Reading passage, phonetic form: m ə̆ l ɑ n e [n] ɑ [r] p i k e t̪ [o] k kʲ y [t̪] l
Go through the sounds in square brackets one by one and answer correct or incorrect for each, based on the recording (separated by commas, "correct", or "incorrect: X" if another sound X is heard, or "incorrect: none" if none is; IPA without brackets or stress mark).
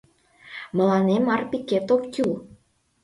incorrect: m, correct, correct, incorrect: none